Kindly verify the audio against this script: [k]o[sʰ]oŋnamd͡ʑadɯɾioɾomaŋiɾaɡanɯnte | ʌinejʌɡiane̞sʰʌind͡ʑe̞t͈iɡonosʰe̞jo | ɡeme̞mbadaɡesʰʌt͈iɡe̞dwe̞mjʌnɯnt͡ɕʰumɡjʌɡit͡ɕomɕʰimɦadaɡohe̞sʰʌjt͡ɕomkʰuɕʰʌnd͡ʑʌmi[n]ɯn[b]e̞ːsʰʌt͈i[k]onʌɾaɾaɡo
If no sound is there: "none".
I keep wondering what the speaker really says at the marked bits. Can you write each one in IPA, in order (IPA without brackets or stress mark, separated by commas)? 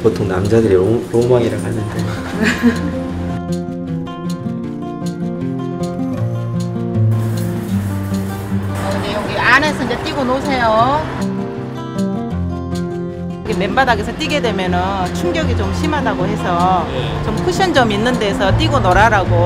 p, tʰ, nː, d, ɡ